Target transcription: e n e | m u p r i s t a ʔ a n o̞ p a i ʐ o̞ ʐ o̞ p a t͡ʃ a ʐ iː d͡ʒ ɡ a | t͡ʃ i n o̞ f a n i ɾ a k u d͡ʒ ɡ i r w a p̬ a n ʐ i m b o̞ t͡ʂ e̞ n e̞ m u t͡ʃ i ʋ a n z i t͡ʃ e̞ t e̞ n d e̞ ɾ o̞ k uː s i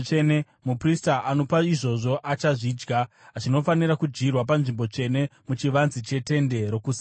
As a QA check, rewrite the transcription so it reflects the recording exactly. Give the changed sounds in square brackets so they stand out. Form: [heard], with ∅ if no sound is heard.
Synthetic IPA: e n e | m u p r i s t a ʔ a n o̞ p a i ʐ o̞ ʐ o̞ [ʔ] a t͡ʃ a ʐ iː d͡ʒ ɡ a | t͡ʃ i n o̞ f a n i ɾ a k u d͡ʒ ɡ i r w a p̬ a n ʐ i m b o̞ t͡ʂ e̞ n e̞ m u t͡ʃ i ʋ a n z i t͡ʃ e̞ t e̞ n d e̞ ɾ o̞ k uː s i